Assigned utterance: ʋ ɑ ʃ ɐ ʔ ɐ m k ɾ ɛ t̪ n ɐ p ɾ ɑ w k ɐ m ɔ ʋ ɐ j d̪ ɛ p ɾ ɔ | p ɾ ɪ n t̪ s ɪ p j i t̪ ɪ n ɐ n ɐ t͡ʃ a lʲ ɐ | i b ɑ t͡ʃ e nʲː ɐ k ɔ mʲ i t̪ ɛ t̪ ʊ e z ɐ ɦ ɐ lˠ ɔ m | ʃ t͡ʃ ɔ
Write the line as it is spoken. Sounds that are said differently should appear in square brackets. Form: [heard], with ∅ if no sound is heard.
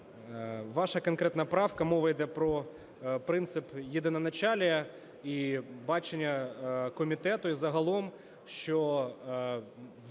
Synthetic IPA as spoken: ʋ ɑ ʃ ɐ [k] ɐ [n] k ɾ ɛ t̪ n ɐ p ɾ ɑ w k ɐ m ɔ ʋ ɐ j d̪ ɛ p ɾ ɔ | p ɾ ɪ n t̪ s ɪ p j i [d̪] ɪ n ɐ n ɐ t͡ʃ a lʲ ɐ | i b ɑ t͡ʃ e nʲː ɐ k ɔ mʲ i t̪ ɛ t̪ ʊ [i] z ɐ ɦ ɐ lˠ ɔ m | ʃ t͡ʃ ɔ